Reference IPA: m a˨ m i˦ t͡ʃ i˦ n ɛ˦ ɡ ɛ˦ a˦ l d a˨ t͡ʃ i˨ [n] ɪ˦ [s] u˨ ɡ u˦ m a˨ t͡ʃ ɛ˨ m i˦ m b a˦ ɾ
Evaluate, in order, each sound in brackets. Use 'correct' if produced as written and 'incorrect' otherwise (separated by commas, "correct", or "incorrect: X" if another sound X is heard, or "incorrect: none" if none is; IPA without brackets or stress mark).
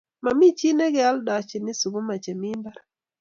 correct, correct